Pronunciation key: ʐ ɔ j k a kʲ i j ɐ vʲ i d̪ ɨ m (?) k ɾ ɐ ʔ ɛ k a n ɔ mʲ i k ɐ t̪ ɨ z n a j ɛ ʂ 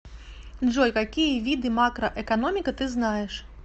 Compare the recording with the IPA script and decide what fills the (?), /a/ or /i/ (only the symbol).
a